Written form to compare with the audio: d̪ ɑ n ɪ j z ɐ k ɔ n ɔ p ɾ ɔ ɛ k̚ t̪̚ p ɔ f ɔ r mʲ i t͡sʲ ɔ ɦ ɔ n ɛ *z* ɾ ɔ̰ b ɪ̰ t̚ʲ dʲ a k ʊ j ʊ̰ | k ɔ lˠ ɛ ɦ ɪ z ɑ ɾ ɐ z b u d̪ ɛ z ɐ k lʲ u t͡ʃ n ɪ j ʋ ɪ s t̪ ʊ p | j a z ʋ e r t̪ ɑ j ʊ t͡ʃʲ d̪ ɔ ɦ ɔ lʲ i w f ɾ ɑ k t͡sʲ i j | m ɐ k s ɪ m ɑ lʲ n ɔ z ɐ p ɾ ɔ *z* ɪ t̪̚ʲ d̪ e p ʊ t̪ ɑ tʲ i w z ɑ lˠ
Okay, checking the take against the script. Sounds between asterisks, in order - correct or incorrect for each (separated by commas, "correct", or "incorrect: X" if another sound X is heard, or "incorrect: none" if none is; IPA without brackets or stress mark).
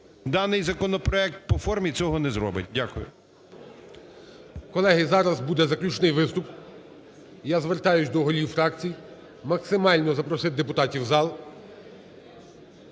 correct, incorrect: s